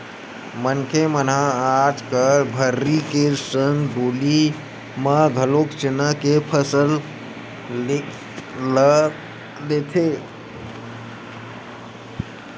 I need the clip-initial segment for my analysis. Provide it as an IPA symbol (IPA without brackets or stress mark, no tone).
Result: m